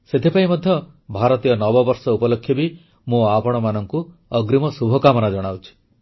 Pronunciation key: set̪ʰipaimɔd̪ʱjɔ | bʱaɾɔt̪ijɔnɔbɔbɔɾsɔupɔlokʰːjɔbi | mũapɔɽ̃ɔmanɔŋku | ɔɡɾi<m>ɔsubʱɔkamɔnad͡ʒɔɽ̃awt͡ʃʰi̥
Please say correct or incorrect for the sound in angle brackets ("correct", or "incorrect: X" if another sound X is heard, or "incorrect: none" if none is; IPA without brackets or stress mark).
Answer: correct